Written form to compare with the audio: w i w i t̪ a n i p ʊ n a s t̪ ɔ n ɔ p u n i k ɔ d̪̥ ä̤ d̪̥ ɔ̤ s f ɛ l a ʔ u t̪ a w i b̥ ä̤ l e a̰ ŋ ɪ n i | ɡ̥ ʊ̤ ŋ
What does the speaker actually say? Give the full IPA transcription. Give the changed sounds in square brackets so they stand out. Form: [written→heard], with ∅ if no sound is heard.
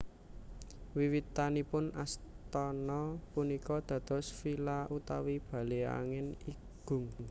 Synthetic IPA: w i w i t̪ a n i p ʊ n a s t̪ ɔ n ɔ p u n i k ɔ d̪̥ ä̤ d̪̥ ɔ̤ s f [ɛ→i] l a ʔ u t̪ a w i b̥ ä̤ l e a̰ ŋ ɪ n i | ɡ̥ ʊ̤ ŋ